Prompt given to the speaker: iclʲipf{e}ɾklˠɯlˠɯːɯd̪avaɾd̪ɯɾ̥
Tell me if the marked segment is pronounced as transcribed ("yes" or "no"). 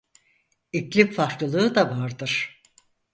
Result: no